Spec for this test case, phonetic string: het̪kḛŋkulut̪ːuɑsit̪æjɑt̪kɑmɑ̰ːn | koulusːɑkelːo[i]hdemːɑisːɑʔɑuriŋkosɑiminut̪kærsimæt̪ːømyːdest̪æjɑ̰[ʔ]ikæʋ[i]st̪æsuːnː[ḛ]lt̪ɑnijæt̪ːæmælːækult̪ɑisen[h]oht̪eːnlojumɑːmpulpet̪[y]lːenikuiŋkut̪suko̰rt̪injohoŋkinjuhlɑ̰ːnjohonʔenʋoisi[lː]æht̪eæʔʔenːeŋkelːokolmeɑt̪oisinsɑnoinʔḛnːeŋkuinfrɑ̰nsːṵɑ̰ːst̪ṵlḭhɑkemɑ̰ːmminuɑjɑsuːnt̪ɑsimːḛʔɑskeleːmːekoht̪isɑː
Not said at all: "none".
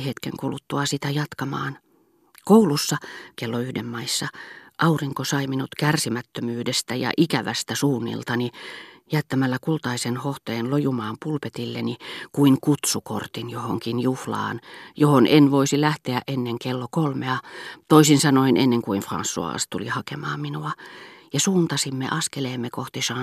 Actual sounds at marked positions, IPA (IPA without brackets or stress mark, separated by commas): y, ʔ, æ, ḭ, h, i, l